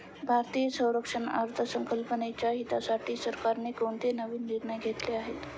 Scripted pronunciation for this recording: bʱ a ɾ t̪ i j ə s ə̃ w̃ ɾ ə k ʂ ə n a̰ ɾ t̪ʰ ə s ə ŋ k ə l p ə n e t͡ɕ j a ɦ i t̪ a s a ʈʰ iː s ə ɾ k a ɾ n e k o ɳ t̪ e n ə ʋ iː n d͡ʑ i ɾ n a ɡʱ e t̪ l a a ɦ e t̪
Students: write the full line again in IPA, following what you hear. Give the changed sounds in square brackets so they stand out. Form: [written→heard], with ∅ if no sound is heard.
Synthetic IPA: bʱ a ɾ t̪ i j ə s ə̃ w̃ ɾ ə k ʂ ə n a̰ ɾ t̪ʰ ə s ə ŋ k ə l p ə n e t͡ɕ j a ɦ i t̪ a s a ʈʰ iː s ə ɾ k a ɾ n e k o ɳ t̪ e n ə ʋ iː n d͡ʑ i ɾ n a ɡʱ e t̪ l [a→e] a ɦ e t̪